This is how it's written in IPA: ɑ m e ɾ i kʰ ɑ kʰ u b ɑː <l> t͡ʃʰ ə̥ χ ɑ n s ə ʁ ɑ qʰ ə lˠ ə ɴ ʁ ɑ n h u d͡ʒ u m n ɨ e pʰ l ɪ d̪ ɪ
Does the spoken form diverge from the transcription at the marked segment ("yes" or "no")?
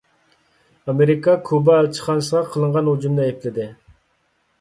no